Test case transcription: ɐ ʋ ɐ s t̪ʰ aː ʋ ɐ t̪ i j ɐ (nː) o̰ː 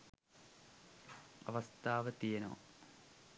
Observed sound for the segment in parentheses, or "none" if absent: n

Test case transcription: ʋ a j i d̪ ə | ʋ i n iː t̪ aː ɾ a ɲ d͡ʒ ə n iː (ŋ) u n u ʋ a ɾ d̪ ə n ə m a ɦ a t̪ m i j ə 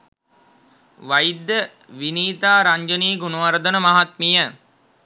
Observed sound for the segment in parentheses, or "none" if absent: ɡ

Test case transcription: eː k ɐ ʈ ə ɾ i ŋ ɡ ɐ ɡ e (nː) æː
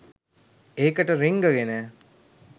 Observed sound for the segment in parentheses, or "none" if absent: n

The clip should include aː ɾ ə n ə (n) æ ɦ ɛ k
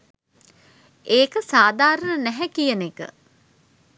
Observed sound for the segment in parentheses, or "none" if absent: n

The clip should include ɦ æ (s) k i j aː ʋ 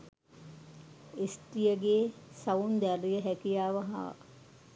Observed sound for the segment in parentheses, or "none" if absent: none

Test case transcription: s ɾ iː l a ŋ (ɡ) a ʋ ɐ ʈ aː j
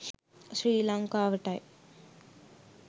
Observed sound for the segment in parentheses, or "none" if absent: k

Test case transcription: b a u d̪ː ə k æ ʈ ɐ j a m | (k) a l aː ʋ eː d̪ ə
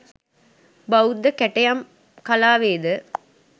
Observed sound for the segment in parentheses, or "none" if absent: k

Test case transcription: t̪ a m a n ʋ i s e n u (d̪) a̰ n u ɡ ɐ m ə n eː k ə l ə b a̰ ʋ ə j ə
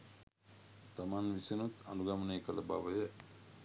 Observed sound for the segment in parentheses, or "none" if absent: t̪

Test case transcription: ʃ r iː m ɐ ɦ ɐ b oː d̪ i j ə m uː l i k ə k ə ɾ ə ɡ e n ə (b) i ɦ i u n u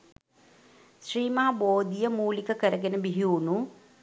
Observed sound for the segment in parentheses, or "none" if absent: b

